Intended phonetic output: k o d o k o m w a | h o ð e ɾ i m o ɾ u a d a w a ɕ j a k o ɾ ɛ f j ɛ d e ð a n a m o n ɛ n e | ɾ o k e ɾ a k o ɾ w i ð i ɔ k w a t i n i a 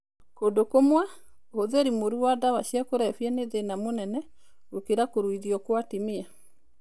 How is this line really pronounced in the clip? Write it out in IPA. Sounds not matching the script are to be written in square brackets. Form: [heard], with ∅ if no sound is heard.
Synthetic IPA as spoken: k o d o k o m w a | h o ð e ɾ i m o ɾ u a d a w a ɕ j a k o ɾ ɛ f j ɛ [n] e ð [e] n a m o n ɛ n [ɛ] | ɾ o k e ɾ a k o ɾ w i ð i ɔ k w a t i [m] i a